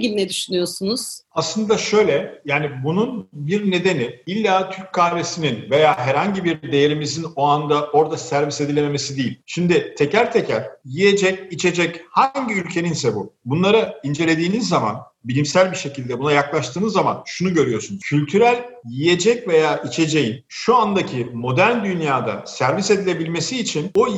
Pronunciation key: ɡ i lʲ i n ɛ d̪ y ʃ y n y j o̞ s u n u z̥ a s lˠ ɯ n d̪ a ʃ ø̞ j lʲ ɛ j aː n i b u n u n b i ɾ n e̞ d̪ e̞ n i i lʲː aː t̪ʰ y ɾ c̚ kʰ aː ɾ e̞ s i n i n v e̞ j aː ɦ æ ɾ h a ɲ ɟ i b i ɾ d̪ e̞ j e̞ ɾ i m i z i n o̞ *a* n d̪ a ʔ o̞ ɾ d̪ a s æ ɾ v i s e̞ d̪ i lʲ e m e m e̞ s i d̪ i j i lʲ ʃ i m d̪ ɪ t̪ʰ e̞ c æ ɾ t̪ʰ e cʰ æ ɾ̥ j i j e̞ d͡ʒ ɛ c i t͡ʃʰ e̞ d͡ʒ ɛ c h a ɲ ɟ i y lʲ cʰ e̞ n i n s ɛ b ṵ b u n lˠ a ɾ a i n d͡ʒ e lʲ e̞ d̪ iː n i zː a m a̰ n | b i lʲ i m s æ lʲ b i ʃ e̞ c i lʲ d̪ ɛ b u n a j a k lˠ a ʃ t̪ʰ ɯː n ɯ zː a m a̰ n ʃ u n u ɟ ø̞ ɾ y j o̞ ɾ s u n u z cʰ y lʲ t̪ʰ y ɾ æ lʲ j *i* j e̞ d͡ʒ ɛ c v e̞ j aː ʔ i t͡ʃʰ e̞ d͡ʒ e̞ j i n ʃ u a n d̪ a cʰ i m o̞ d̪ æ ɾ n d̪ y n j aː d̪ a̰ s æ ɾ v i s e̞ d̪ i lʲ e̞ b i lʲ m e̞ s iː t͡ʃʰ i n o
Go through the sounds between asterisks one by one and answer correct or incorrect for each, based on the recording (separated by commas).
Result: correct, correct